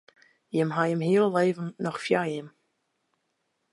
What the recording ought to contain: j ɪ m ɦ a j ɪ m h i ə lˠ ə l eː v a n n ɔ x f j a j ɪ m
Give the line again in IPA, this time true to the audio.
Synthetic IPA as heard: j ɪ m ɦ a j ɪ m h i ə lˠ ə l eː v ə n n ɔ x f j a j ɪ m